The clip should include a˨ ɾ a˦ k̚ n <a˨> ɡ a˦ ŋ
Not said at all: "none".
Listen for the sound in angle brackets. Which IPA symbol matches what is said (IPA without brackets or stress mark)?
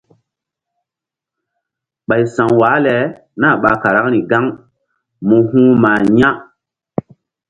i˨